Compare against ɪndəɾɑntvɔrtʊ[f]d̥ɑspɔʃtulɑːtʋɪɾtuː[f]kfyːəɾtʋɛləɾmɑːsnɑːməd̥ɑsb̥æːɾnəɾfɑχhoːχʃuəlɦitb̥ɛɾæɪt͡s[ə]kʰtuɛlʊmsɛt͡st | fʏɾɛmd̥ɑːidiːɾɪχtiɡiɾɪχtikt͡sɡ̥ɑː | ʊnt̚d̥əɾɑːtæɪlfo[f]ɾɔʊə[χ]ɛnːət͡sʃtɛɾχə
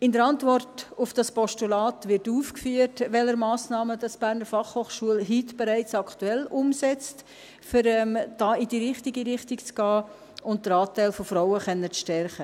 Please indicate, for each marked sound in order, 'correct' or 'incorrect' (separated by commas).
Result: correct, correct, incorrect, correct, correct